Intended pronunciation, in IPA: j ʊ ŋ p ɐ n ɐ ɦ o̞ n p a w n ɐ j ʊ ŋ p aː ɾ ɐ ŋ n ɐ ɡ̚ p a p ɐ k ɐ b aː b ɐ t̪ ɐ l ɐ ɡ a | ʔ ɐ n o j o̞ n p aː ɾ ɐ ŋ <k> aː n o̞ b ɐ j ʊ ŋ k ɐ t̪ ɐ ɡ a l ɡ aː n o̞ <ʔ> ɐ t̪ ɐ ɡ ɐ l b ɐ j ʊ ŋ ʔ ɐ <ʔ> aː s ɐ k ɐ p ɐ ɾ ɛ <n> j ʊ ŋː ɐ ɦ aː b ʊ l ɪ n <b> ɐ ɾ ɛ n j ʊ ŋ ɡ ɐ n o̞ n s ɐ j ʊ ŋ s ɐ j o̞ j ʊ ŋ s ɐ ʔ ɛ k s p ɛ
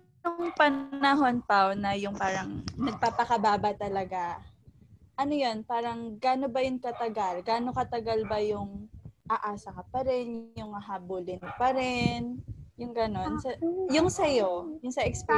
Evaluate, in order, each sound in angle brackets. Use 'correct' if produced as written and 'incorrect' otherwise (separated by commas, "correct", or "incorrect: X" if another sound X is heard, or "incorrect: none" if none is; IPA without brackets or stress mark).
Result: incorrect: ɡ, incorrect: k, correct, correct, incorrect: p